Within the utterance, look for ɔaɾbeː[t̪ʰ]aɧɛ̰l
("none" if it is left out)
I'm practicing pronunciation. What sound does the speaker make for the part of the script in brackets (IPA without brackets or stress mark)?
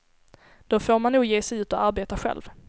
t̪